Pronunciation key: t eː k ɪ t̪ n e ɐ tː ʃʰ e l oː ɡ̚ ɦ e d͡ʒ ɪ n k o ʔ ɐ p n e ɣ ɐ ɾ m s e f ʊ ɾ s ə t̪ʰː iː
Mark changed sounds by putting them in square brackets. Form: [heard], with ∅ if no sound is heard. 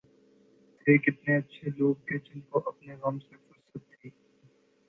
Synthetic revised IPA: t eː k ɪ t̪ n e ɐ tː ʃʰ e l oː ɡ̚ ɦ e d͡ʒ ɪ n k o ʔ ɐ p n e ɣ ɐ [∅] m s e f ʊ ɾ s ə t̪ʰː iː